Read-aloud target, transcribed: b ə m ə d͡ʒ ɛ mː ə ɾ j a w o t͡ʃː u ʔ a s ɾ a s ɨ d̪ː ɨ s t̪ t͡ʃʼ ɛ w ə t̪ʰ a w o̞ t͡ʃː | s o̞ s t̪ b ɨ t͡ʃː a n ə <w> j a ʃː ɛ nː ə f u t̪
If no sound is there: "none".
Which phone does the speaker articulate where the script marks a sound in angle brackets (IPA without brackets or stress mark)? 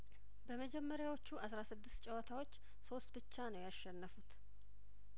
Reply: w